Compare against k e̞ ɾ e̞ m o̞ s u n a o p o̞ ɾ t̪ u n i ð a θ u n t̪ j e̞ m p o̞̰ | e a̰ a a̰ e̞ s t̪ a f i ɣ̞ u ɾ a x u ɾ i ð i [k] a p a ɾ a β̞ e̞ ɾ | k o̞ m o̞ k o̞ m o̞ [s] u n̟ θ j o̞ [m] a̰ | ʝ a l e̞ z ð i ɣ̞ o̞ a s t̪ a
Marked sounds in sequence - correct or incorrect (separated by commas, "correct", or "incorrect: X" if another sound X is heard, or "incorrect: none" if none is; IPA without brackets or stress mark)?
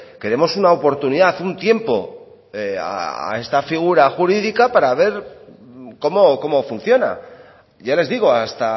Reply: correct, incorrect: f, incorrect: n